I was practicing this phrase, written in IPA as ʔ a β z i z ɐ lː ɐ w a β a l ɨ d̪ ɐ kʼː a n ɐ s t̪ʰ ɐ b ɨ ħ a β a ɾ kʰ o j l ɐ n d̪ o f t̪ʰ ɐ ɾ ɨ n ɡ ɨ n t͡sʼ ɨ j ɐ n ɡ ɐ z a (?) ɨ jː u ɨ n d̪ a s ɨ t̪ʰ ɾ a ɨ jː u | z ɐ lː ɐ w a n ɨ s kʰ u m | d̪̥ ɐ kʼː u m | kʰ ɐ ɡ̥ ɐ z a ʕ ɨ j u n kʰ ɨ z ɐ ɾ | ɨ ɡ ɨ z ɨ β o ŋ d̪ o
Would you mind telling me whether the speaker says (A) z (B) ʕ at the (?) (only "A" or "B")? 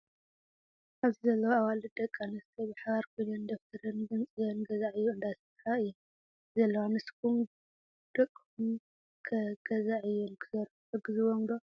B